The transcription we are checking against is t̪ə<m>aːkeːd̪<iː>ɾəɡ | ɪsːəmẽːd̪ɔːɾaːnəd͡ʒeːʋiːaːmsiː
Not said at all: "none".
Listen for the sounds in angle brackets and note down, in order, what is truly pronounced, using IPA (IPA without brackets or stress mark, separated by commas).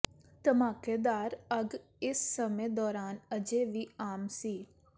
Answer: m, aː